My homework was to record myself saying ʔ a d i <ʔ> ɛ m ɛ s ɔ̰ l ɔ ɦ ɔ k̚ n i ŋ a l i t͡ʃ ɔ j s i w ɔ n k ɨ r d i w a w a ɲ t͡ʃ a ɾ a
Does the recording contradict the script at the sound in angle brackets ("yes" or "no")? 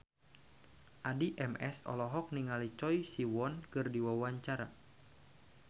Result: no